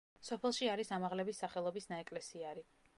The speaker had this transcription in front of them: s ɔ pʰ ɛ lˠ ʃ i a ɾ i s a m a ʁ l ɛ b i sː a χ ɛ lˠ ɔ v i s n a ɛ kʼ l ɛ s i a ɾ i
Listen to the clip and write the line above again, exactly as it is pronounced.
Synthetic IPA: s ɔ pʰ ɛ lˠ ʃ i a ɾ i s a m a ʁ l ɛ b i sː a χ ɛ lˠ ɔ b i s n a ɛ kʼ l ɛ s i a ɾ i